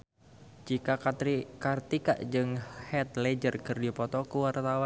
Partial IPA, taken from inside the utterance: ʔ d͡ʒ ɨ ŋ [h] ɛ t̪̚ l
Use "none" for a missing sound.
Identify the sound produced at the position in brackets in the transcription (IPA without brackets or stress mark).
h